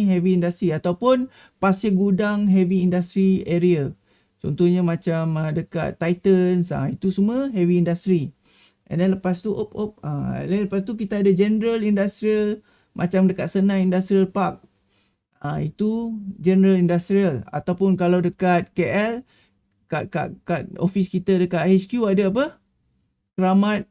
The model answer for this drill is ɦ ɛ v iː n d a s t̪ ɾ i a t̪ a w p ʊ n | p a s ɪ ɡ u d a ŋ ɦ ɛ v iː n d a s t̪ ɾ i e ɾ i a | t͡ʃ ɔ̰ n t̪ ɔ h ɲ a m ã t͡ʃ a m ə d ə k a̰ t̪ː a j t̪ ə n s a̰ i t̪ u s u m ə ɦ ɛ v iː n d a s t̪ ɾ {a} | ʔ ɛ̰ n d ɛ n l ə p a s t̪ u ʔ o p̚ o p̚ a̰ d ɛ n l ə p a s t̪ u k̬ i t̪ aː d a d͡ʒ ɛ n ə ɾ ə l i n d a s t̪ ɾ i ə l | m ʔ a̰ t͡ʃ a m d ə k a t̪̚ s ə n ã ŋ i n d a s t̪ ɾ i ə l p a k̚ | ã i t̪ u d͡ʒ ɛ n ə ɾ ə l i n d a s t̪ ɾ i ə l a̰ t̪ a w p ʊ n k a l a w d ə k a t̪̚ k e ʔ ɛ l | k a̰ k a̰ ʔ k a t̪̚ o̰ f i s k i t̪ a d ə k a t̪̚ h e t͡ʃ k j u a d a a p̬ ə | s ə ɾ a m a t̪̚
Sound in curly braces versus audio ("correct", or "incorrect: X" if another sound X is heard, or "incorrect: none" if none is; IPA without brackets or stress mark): incorrect: i